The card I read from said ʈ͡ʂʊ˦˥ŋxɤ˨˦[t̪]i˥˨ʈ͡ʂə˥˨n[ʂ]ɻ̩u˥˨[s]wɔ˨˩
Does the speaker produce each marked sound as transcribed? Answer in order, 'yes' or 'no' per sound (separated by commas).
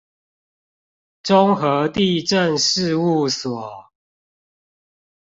yes, yes, yes